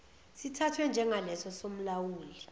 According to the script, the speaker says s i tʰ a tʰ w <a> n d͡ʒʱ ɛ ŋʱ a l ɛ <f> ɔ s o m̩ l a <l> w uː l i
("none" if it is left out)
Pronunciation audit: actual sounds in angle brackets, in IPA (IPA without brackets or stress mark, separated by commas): ɛ, s, none